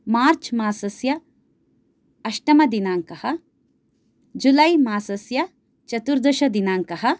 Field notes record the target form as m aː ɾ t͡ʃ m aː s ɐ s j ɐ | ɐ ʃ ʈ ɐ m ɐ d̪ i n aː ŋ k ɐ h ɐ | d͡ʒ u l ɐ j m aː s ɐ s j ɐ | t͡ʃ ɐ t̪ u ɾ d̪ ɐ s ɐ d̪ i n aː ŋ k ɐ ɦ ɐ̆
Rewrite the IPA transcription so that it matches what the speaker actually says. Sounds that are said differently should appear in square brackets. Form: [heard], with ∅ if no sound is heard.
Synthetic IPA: m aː ɾ t͡ʃ m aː s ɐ s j ɐ | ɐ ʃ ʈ ɐ m ɐ d̪ i n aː ŋ k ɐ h ɐ | d͡ʒ u l ɐ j m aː s ɐ s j ɐ | t͡ʃ ɐ t̪ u ɾ d̪ ɐ [ʃ] ɐ d̪ i n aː ŋ k ɐ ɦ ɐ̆

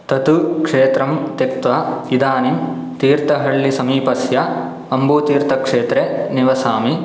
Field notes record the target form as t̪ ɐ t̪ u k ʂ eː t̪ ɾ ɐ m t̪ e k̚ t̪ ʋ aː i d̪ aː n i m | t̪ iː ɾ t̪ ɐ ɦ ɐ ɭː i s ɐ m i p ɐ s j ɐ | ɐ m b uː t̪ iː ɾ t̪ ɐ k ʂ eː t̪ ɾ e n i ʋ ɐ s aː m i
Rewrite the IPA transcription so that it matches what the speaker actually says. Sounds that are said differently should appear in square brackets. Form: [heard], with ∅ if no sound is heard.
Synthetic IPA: t̪ ɐ t̪ u k ʂ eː t̪ ɾ ɐ m t̪ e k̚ t̪ ʋ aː i d̪ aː n i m | t̪ iː ɾ t̪ ɐ ɦ ɐ ɭː i s ɐ m [iː] p ɐ s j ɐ | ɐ m b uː t̪ iː ɾ t̪ ɐ k ʂ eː t̪ ɾ e n i ʋ ɐ s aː m i

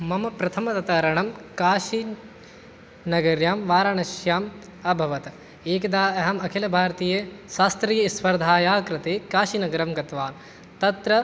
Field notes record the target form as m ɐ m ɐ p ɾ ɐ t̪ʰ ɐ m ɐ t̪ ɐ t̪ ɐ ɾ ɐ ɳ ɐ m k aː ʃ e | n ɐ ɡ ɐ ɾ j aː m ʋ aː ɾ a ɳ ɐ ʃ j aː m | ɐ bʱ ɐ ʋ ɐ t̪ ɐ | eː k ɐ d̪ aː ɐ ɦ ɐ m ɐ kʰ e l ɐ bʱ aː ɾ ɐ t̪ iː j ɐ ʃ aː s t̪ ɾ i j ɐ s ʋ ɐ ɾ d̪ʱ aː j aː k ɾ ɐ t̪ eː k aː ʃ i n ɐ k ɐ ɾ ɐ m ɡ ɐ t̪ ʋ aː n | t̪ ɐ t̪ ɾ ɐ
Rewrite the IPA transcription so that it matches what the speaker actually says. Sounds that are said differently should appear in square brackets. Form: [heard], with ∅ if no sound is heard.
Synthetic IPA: m ɐ m ɐ p ɾ ɐ t̪ʰ ɐ m ɐ t̪ ɐ t̪ ɐ ɾ ɐ ɳ ɐ m k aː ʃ [i] | n ɐ ɡ ɐ ɾ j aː m ʋ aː ɾ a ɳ ɐ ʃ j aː m | ɐ bʱ ɐ ʋ ɐ t̪ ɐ | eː k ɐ d̪ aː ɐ ɦ ɐ m ɐ kʰ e l ɐ bʱ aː ɾ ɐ t̪ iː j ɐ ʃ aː s t̪ ɾ i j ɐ s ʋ ɐ ɾ d̪ʱ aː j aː k ɾ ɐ t̪ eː k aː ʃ i n ɐ [ɡ] ɐ ɾ ɐ m ɡ ɐ t̪ ʋ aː n | t̪ ɐ t̪ ɾ ɐ

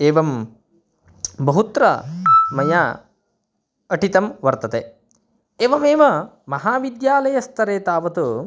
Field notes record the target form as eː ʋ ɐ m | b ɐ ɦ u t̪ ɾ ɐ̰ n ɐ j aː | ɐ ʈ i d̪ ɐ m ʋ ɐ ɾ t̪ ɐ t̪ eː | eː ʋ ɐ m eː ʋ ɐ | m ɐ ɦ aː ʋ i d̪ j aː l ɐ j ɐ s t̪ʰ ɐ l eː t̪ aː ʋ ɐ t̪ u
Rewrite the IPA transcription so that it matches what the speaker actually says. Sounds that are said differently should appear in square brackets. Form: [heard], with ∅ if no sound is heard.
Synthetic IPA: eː ʋ ɐ m | b ɐ ɦ u t̪ ɾ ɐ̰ [m] ɐ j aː | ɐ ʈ i [t̪] ɐ m ʋ ɐ ɾ t̪ ɐ t̪ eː | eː ʋ ɐ m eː ʋ ɐ | m ɐ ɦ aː ʋ i d̪ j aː l ɐ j ɐ s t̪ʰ ɐ [ɾ] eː t̪ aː ʋ ɐ t̪ u

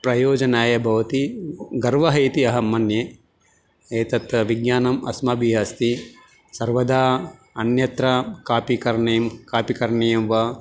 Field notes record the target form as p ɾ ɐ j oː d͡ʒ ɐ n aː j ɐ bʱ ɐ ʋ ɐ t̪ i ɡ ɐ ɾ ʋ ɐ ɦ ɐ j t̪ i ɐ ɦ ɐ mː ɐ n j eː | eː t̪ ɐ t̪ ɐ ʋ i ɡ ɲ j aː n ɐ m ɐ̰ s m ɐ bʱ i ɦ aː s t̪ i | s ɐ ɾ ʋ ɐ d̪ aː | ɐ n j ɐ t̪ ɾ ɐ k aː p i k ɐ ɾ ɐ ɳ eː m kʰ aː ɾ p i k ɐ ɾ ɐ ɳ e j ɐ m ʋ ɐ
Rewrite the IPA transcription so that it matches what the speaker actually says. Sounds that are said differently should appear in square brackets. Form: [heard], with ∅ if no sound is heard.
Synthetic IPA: p ɾ ɐ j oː d͡ʒ ɐ n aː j ɐ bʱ ɐ ʋ ɐ t̪ i ɡ ɐ ɾ ʋ ɐ ɦ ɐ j t̪ i ɐ ɦ ɐ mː ɐ n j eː | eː t̪ ɐ t̪ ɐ ʋ i ɡ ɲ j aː n ɐ m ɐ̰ s m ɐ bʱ i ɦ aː s t̪ i | s ɐ ɾ ʋ ɐ d̪ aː | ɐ n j ɐ t̪ ɾ ɐ k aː p i k ɐ ɾ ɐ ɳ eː m [k] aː [∅] p i k ɐ ɾ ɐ ɳ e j ɐ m ʋ ɐ

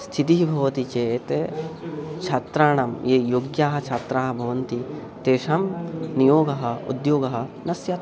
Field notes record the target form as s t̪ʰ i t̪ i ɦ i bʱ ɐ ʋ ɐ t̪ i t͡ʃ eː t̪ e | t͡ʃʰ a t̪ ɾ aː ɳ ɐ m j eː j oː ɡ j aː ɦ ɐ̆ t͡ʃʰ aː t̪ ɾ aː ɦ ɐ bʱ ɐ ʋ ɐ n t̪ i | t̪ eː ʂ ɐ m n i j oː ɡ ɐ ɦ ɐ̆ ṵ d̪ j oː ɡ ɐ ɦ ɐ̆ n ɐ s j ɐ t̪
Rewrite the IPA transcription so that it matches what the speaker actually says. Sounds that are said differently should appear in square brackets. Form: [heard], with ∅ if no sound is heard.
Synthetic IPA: s t̪ʰ i t̪ i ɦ i bʱ ɐ ʋ ɐ t̪ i t͡ʃ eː t̪ e | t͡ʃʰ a t̪ ɾ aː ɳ ɐ m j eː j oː ɡ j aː ɦ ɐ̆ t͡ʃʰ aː t̪ ɾ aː ɦ ɐ bʱ ɐ ʋ ɐ n t̪ i | t̪ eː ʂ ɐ m n i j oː ɡ ɐ ɦ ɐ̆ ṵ d̪ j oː ɡ ɐ ɦ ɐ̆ n ɐ s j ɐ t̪

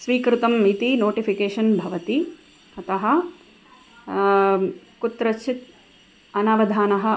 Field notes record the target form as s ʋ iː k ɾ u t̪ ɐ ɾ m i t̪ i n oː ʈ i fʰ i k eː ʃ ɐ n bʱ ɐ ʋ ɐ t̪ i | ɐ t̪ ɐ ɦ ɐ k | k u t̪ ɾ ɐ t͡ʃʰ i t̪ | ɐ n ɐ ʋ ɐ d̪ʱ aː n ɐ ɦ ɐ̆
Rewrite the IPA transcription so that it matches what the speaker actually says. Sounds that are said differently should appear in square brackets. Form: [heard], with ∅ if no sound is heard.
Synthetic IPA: s ʋ iː k ɾ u t̪ ɐ [∅] m i t̪ i n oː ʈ i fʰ i k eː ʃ ɐ n bʱ ɐ ʋ ɐ t̪ i | ɐ t̪ ɐ ɦ ɐ [∅] | k u t̪ ɾ ɐ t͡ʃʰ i t̪ | ɐ n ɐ ʋ ɐ d̪ʱ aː n ɐ ɦ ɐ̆

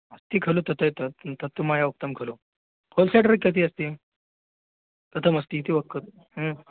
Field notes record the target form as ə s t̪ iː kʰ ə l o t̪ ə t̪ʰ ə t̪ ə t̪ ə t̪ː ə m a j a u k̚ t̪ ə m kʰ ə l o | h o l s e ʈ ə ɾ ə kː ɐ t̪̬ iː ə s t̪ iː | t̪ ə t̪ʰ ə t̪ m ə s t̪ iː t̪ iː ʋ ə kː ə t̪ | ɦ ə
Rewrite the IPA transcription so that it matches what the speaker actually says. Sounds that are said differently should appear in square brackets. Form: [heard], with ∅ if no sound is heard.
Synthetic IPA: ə s t̪ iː kʰ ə l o t̪ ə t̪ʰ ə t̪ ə t̪ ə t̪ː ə m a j a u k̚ t̪ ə m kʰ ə l o | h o l s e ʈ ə ɾ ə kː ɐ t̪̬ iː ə s t̪ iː | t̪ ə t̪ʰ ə [∅] m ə s t̪ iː t̪ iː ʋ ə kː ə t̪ | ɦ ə

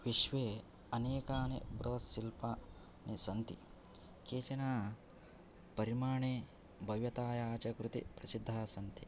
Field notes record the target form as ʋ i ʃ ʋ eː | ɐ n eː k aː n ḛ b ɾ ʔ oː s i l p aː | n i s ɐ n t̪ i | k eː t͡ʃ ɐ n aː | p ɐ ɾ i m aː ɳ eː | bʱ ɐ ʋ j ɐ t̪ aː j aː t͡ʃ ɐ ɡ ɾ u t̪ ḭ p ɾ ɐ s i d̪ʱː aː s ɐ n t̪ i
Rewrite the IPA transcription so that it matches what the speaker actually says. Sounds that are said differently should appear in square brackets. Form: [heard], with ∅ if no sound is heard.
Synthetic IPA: ʋ i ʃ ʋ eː | ɐ n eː k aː n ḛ b ɾ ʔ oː s i l p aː | n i s ɐ n t̪ i | k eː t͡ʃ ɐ n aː | p ɐ ɾ i m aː ɳ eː | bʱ ɐ ʋ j ɐ t̪ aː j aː t͡ʃ ɐ [k] ɾ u t̪ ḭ p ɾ ɐ s i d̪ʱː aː s ɐ n t̪ i

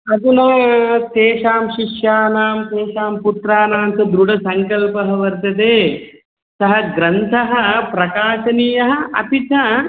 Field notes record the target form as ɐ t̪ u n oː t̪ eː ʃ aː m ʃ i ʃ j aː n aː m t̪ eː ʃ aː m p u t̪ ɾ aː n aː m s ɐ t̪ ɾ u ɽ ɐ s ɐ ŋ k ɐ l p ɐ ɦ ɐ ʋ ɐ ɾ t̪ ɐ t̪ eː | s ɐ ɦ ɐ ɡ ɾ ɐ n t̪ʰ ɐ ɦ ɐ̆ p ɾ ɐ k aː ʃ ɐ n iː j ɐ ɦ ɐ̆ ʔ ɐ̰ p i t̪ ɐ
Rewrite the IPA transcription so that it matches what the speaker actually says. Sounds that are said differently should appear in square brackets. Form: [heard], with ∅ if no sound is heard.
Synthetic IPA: ɐ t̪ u n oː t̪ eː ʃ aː m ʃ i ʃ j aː n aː m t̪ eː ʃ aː m p u t̪ ɾ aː n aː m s ɐ [d̪] ɾ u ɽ ɐ s ɐ ŋ k ɐ l p ɐ ɦ ɐ ʋ ɐ ɾ t̪ ɐ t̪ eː | s ɐ ɦ ɐ ɡ ɾ ɐ n t̪ʰ ɐ ɦ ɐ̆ p ɾ ɐ k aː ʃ ɐ n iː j ɐ ɦ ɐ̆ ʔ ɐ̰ p i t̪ ɐ

